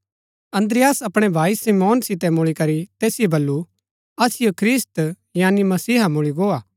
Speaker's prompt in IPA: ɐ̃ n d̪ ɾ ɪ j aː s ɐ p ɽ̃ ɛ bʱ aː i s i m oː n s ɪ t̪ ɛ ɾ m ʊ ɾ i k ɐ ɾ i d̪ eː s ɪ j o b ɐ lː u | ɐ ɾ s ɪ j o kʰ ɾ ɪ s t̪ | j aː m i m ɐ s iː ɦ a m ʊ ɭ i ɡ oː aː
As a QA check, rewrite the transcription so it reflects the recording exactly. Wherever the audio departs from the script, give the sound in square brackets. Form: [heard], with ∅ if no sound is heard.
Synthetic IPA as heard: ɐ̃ n d̪ ɾ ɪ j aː s ɐ p ɽ̃ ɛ bʱ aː i s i m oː n s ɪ t̪ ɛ [∅] m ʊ [ɭ] i k ɐ ɾ i [t̪] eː s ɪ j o b ɐ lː u | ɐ [∅] s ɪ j o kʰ ɾ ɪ s t̪ | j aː [n] i m ɐ s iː ɦ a m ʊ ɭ i ɡ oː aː